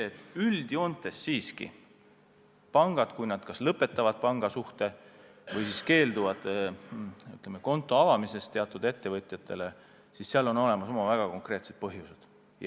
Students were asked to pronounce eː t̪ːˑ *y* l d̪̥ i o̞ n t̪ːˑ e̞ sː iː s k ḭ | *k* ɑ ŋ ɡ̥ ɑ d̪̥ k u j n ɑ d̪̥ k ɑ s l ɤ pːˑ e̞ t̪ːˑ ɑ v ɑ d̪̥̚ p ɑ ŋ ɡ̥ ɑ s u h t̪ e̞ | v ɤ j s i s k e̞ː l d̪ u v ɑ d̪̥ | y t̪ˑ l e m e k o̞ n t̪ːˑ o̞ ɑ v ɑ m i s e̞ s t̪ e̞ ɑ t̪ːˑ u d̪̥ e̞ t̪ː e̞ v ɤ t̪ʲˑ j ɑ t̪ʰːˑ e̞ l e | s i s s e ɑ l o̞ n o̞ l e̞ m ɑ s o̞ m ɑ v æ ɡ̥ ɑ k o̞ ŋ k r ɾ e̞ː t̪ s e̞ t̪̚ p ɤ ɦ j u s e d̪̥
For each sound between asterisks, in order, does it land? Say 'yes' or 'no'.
yes, no

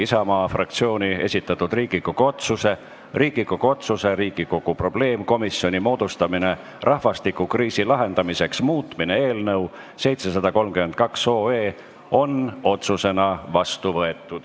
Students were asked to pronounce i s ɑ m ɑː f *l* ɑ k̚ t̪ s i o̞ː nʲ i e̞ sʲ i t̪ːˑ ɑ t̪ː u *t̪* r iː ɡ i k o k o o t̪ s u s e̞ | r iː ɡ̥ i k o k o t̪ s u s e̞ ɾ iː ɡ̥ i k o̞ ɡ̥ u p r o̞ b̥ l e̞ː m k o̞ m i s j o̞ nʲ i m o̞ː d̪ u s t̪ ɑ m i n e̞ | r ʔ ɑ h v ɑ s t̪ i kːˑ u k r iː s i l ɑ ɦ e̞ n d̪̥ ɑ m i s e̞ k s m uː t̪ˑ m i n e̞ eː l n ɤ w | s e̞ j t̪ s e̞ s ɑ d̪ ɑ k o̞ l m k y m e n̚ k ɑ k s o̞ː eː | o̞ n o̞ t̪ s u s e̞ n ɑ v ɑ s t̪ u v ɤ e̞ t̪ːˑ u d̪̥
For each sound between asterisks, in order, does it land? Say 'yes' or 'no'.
no, no

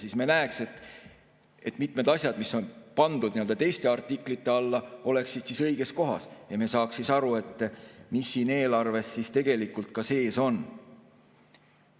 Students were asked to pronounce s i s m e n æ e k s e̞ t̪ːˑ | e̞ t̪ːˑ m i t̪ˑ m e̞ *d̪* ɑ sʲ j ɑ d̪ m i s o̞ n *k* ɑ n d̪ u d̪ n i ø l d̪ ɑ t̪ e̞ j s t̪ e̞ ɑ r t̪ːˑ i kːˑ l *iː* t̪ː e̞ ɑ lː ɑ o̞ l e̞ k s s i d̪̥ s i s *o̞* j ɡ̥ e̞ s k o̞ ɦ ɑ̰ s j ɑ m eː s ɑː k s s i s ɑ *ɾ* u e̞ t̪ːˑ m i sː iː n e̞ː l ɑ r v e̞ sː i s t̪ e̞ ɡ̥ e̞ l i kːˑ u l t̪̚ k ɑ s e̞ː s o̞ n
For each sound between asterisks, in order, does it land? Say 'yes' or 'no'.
yes, no, no, no, yes

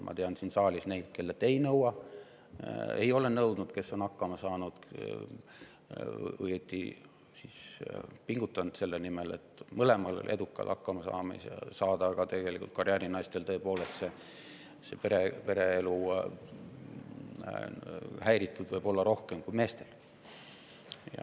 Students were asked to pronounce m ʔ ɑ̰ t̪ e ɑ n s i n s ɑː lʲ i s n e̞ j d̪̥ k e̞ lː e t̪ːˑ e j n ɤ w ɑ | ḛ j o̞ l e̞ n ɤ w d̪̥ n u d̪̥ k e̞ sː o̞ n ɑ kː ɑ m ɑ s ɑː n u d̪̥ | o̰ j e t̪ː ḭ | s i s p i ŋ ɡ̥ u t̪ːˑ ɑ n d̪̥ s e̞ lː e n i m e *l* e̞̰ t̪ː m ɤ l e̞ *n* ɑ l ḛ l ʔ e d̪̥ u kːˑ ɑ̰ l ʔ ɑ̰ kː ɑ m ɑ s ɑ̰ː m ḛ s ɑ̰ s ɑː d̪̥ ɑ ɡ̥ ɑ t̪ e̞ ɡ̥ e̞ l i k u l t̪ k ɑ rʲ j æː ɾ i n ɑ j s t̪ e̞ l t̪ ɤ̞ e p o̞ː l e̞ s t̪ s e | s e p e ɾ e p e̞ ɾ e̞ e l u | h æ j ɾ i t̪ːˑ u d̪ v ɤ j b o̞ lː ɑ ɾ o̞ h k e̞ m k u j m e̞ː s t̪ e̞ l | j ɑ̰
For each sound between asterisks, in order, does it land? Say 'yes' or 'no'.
yes, no

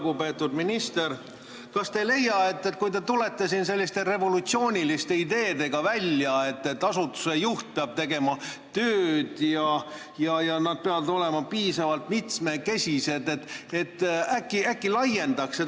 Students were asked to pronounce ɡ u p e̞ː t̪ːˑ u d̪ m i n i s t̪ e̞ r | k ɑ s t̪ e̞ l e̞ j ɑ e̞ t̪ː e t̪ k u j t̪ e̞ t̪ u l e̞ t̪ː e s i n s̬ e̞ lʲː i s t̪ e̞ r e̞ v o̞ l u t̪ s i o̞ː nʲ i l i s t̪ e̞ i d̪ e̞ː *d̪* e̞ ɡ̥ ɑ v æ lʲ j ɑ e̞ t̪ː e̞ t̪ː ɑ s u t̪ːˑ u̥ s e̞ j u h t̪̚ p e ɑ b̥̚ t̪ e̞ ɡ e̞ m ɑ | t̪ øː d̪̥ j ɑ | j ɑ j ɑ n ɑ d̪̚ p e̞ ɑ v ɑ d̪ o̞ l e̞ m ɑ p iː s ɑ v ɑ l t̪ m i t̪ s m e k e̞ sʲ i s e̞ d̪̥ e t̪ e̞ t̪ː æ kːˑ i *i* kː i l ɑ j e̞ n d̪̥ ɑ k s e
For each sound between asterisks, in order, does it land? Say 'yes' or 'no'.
yes, no

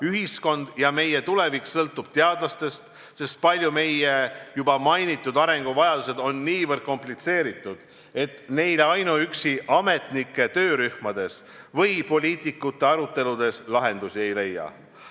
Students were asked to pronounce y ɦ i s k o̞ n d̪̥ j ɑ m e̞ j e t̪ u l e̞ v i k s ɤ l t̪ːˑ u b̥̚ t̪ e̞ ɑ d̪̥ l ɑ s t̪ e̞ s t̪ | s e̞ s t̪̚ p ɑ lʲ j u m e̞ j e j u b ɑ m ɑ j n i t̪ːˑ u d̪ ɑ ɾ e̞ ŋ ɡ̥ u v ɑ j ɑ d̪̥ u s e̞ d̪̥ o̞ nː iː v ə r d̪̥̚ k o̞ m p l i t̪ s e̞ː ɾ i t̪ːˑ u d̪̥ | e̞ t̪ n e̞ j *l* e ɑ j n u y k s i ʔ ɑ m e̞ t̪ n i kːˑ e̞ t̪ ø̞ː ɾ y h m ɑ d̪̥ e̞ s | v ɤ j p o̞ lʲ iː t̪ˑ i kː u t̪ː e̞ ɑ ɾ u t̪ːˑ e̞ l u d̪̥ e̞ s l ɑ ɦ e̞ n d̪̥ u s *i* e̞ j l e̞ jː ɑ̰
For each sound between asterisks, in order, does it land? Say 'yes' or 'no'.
yes, yes

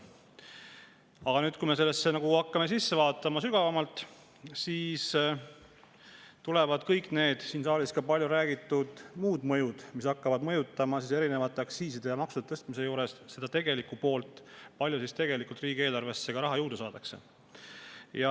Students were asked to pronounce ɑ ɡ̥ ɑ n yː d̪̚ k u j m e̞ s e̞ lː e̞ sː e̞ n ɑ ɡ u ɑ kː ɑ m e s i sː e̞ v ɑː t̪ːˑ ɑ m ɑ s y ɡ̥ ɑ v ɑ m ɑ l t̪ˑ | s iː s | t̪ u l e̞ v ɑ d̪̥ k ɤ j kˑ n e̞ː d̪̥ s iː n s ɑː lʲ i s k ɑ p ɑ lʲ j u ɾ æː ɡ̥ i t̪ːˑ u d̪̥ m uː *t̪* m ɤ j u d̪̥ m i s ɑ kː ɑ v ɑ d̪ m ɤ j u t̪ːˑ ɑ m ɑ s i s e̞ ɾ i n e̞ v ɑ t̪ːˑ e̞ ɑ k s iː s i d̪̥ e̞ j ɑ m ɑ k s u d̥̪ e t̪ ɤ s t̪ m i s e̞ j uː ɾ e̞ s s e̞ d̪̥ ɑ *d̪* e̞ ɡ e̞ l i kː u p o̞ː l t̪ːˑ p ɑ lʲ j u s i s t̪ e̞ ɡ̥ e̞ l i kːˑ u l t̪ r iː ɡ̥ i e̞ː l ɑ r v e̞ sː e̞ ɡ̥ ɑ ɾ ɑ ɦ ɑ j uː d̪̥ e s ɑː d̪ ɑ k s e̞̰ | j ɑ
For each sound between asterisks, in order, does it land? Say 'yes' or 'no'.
no, no

